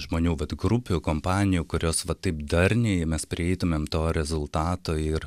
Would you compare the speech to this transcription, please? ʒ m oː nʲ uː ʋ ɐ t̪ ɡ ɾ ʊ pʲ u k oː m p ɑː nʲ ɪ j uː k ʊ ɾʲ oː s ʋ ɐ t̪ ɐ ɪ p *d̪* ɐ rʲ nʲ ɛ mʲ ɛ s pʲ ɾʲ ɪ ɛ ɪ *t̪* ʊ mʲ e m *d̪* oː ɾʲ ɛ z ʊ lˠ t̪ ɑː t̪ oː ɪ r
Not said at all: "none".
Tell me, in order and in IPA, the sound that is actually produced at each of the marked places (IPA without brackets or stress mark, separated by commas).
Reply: d̪, t̪, t̪